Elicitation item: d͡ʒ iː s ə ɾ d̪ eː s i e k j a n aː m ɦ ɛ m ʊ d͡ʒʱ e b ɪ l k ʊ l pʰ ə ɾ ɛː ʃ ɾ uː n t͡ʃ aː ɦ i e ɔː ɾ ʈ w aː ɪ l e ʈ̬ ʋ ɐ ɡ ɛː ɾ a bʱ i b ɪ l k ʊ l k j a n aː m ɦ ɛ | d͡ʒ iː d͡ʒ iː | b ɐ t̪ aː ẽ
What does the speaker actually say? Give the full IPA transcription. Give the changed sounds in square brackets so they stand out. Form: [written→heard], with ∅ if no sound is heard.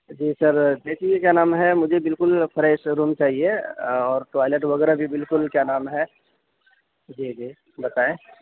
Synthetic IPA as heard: d͡ʒ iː s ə ɾ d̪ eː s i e k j a n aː m ɦ ɛ m ʊ d͡ʒʱ e b ɪ l k ʊ l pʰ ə ɾ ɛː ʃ ɾ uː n t͡ʃ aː ɦ i e ɔː ɾ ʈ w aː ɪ l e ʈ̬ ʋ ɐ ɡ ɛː ɾ a bʱ i b ɪ l k ʊ l k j a n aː m ɦ ɛ | d͡ʒ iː d͡ʒ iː | b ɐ t̪ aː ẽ